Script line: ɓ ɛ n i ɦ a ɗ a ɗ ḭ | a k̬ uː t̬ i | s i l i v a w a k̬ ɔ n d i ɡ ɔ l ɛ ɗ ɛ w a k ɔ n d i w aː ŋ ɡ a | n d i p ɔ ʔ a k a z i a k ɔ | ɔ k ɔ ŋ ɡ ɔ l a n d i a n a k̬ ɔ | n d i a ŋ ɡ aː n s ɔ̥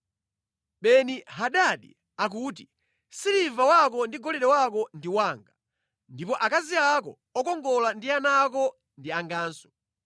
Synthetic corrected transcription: ɓ ɛ n i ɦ a ɗ a ɗ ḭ | a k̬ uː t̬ i | s i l i v a w a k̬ ɔ n d i ɡ ɔ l ɛ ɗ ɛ w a k ɔ n d i w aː ŋ ɡ a | n d i p ɔ ʔ a k a z i a k ɔ | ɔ k ɔ ŋ ɡ ɔ l a n d i a n a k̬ ɔ | n d i a ŋ ɡ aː n s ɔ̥